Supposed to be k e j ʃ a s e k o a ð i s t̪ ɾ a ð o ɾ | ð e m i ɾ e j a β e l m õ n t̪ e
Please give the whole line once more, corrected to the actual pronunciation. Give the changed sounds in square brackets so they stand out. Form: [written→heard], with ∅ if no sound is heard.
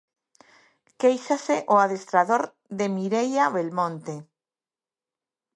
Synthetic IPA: k e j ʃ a s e [k→ʔ] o a ð [i→e] s t̪ ɾ a ð o ɾ | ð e m i ɾ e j a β e l m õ n t̪ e